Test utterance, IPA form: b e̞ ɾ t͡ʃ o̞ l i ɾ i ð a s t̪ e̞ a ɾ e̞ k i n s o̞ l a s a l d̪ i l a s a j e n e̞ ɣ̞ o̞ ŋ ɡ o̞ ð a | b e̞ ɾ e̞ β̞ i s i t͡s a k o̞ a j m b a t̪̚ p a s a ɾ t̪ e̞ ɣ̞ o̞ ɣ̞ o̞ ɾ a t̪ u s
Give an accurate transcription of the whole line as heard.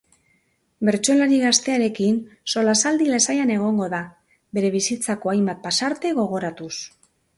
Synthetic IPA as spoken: b e̞ ɾ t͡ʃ o̞ l a ɾ i ɣ a s t̪ e̞ a ɾ e̞ k i n s o̞ l a s a l d̪ i l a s a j a n e̞ ɣ̞ o̞ ŋ ɡ o̞ ð a | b e̞ ɾ e̞ β̞ i s i t͡s a k o̞ a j m b a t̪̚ p a s a ɾ t̪ e̞ ɣ̞ o̞ ɣ̞ o̞ ɾ a t̪ u s